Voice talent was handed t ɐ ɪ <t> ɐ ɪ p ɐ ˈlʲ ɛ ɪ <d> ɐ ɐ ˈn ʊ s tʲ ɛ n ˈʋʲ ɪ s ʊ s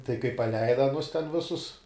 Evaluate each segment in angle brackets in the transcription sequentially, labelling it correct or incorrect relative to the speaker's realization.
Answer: incorrect: k, correct

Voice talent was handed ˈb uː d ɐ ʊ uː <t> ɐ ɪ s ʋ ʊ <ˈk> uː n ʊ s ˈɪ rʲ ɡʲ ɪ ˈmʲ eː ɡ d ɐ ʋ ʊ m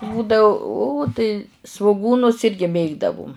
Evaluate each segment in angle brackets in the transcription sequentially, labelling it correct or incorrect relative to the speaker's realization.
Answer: correct, incorrect: ɡ

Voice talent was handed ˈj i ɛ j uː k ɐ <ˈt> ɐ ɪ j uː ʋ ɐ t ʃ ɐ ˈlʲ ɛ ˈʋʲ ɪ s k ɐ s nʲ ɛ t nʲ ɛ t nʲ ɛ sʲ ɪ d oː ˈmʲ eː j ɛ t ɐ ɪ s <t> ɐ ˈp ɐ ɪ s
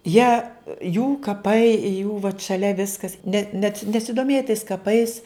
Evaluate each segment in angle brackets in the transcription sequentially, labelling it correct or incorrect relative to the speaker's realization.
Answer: incorrect: p, incorrect: k

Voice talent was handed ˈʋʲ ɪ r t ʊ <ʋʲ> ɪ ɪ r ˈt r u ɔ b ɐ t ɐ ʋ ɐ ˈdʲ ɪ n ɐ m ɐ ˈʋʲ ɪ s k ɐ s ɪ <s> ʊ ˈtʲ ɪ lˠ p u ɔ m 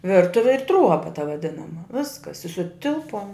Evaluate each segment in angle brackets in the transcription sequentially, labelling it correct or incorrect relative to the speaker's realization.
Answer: correct, correct

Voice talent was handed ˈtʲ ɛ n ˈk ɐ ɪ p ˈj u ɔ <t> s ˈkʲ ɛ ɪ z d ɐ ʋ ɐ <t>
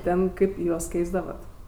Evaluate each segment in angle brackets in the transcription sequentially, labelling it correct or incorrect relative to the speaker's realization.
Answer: incorrect: none, correct

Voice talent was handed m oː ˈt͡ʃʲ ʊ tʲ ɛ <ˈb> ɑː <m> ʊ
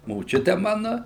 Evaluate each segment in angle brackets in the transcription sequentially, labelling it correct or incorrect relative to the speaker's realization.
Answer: incorrect: m, incorrect: n

